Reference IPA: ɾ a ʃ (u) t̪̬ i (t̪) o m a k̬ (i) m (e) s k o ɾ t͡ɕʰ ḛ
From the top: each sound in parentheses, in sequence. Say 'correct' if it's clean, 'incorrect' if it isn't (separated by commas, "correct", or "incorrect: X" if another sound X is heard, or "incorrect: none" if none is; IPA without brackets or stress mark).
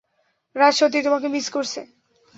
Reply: incorrect: o, correct, incorrect: e, incorrect: i